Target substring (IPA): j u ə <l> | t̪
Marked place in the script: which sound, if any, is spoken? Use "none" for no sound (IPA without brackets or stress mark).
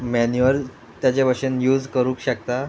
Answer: l